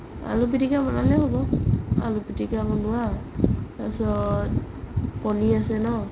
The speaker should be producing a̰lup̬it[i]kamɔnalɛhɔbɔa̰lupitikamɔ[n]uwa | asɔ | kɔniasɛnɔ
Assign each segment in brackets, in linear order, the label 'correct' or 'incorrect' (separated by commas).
correct, correct